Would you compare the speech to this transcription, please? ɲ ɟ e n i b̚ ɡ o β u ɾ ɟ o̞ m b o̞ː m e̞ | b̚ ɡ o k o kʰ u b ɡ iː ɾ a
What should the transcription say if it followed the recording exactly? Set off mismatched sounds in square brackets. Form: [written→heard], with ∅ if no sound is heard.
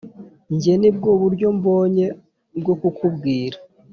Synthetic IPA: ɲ ɟ e n i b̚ ɡ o β u ɾ ɟ o̞ m b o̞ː [m→ɲ] e̞ | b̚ ɡ o k [o→u] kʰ u b ɡ iː ɾ a